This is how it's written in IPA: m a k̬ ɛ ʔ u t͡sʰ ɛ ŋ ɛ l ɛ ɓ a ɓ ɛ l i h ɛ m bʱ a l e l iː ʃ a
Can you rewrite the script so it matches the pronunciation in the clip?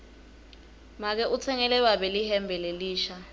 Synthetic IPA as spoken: m a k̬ ɛ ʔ u t͡sʰ ɛ ŋ ɛ l ɛ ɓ a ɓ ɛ l i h ɛ m bʱ ɛ l e l iː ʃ a

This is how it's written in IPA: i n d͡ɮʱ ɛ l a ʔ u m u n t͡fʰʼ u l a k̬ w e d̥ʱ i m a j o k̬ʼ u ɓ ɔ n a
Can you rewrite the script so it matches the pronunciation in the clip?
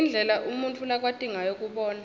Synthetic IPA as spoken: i n d͡ɮʱ ɛ l a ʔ u m u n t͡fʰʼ u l a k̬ w a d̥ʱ i ŋ a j o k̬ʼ u ɓ ɔː n a

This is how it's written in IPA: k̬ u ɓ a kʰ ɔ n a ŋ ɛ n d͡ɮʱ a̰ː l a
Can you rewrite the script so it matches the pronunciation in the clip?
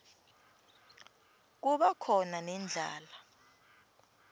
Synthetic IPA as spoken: k̬ u ɓ a kʰ ɔ n a n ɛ n d͡ɮʱ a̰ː l a

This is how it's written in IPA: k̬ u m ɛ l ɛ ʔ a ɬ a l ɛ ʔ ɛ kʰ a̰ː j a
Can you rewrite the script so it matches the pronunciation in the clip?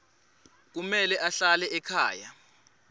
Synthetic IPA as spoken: k̬ u m ɛ l ɛ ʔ a ɬ a l ɛ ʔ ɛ kʰ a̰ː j a

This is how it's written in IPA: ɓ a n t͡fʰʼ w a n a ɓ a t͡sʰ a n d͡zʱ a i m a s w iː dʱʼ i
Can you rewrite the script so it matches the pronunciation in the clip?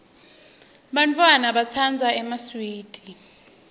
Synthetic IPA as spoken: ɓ a n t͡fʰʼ w a n a ɓ a t͡sʰ a n d͡zʱ a ɛ m a s w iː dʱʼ i

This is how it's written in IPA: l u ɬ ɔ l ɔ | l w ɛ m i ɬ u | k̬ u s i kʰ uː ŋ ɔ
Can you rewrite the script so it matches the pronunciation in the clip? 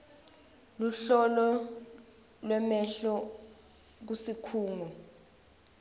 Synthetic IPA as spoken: l u ɬ ɔ l ɔ | l w ɛ m ɛ ɬ ɔ | k̬ u s i kʰ uː ŋ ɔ

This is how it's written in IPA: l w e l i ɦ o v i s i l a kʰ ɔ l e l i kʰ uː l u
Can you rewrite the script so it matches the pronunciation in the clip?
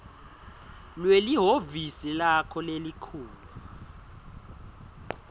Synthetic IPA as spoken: l w e l i ɦ o v i s i l a kʰ ɔ l e l i kʰ uː l u

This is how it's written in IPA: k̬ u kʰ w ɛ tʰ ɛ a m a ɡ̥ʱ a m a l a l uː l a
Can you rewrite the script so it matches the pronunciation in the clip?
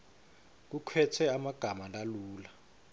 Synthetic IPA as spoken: k̬ u kʰ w ɛ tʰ ɛ a m a ɡ̥ʱ a m a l a l uː l a

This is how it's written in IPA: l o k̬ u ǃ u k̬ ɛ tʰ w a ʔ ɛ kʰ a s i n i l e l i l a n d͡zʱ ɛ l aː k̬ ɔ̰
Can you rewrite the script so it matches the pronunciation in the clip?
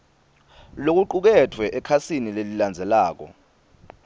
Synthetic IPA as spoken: l o k̬ u ǃ u k̬ ɛ tʰ w ɛ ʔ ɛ kʰ a s i n i l e l i l a n d͡zʱ ɛ l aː k̬ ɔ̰

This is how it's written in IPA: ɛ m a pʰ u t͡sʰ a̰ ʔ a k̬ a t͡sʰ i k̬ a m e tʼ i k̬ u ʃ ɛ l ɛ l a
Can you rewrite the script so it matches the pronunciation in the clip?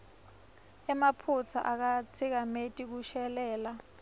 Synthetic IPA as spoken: ɛ m a pʰ u t͡sʰ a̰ ʔ a k̬ a t͡sʰ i k̬ a m e tʼ i k̬ u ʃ ɛ l ɛː l a

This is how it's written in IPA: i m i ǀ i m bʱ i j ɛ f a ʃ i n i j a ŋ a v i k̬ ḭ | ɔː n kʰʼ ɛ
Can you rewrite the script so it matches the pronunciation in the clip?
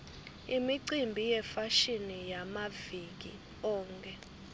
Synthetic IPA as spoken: i m i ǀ i m bʱ i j ɛ f a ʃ i n i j a m a v i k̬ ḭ | ɔː ŋ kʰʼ ɛ

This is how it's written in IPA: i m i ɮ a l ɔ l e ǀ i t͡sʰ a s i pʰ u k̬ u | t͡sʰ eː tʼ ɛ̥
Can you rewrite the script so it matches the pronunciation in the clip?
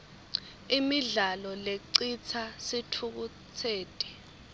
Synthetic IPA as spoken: i m i ɮ a l ɔ l e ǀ i t͡sʰ a s i tʰ u k̬ u | t͡sʰ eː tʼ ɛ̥

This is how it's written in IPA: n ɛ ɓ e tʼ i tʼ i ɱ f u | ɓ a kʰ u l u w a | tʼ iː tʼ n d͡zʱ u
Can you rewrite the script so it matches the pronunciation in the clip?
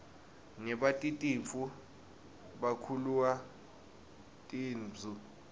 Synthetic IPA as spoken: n ɛ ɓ a tʼ i tʼ i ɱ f u | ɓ a kʰ u l u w a | tʼ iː n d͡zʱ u

